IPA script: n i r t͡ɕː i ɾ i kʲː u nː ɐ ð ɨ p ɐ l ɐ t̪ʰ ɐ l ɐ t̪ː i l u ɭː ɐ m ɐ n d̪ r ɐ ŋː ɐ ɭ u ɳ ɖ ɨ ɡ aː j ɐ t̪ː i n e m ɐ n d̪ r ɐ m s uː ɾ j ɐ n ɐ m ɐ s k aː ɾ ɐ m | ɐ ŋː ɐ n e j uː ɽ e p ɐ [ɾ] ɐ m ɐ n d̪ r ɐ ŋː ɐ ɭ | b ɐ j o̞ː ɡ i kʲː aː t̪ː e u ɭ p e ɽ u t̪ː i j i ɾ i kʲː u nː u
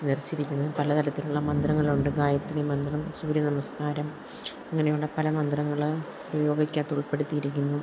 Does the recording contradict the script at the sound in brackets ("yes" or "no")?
yes